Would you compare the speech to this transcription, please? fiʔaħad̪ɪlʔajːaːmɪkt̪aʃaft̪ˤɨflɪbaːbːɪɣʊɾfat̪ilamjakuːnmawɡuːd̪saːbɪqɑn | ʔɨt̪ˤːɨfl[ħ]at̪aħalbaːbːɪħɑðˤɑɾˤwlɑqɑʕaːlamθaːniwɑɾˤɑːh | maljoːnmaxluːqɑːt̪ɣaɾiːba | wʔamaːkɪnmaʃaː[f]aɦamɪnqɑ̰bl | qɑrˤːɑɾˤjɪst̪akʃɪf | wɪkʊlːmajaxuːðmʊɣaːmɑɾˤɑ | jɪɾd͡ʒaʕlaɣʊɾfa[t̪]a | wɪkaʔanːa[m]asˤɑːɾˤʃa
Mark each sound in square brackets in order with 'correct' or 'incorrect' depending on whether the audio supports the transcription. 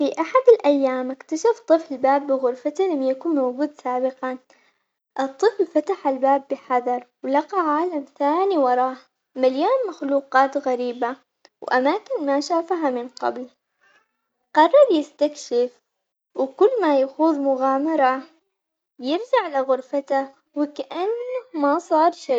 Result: incorrect: f, correct, correct, correct

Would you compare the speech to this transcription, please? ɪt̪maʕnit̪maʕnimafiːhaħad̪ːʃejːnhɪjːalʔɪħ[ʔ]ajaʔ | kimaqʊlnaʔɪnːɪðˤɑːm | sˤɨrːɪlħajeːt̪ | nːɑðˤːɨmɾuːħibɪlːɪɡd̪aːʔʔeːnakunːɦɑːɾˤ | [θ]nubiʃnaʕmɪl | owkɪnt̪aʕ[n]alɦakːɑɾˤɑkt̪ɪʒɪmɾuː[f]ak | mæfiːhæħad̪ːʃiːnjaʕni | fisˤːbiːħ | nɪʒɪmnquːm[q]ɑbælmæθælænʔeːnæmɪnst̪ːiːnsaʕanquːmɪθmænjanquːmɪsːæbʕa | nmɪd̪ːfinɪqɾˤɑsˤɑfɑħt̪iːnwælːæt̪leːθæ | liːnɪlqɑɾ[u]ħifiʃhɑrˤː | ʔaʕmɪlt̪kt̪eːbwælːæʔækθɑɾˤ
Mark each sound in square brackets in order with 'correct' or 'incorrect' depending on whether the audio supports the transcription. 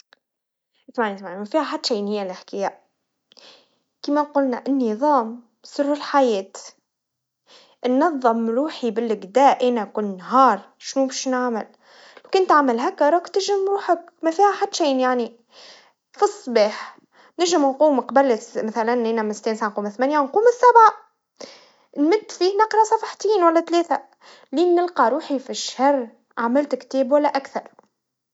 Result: incorrect: k, incorrect: ʃ, incorrect: m, incorrect: ħ, correct, incorrect: uː

